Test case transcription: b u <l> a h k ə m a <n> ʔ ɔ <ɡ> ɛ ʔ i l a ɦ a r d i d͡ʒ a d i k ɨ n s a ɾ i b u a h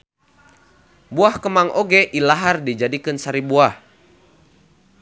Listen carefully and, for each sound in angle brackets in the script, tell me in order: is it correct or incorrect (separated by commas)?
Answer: incorrect, incorrect, correct